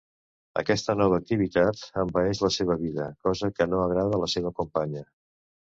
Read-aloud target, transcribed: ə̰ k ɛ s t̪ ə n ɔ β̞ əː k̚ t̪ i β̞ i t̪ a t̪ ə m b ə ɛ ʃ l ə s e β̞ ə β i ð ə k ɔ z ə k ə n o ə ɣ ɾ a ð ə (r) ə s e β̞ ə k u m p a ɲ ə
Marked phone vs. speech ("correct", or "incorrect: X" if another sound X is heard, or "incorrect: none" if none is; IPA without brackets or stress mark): incorrect: l